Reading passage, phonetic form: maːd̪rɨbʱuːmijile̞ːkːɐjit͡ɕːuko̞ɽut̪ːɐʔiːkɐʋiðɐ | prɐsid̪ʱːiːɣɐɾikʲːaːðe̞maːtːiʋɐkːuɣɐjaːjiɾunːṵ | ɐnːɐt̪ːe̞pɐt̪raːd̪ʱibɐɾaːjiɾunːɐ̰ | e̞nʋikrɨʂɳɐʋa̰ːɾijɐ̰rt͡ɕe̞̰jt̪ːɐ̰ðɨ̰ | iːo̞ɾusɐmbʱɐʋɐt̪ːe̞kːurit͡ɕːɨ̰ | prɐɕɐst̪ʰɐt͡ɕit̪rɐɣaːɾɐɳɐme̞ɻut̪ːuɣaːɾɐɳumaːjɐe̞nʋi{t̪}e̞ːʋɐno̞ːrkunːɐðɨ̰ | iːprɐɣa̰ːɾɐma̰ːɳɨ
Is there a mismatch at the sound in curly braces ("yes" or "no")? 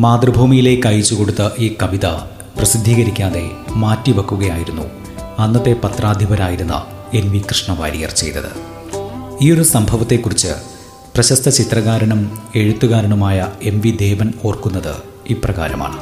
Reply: yes